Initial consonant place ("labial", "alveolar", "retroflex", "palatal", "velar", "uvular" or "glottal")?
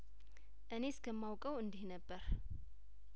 glottal